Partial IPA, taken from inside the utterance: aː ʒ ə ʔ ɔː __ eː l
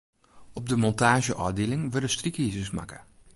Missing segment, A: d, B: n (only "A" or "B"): A